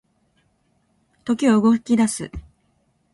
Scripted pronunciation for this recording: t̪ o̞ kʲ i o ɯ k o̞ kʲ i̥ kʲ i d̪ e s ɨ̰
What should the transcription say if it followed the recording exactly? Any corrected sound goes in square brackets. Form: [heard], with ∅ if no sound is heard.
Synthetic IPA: t̪ o̞ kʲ i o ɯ [ɡ] o̞ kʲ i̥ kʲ i d̪ [a] s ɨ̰